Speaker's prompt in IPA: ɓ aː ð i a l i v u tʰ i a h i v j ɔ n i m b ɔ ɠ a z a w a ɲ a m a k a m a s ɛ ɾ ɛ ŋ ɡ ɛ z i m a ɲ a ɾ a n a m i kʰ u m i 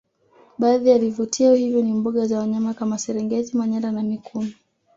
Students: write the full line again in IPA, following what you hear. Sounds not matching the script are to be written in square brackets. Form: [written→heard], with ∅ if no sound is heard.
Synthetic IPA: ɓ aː ð i a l i v u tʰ i a h i v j ɔ n i m b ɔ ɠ a z a w a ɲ a m a k a m a s ɛ ɾ ɛ ŋ ɡ ɛ z i m a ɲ a ɾ a n a m i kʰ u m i